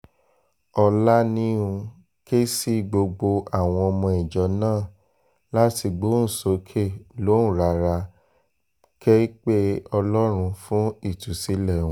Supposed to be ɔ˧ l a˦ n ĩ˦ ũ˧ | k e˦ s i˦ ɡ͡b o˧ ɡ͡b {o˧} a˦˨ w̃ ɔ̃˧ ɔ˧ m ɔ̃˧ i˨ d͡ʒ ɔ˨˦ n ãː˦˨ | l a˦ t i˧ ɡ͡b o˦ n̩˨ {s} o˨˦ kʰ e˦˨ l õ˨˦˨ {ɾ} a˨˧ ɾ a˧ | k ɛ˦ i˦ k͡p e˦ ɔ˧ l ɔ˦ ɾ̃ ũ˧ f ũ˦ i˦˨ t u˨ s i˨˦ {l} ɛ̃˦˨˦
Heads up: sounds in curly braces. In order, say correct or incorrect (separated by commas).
correct, correct, correct, correct